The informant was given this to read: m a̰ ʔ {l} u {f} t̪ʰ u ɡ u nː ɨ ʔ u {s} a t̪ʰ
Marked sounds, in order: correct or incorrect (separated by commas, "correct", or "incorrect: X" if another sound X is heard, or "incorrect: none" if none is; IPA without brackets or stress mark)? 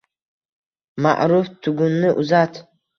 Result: incorrect: ɾ, correct, incorrect: z